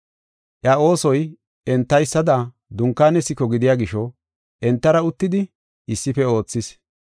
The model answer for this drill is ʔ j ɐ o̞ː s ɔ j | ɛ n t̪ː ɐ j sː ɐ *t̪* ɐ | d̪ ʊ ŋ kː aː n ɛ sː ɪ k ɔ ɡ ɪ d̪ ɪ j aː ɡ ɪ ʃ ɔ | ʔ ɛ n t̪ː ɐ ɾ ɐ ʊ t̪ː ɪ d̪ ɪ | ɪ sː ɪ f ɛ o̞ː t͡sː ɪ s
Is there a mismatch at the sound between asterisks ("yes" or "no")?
yes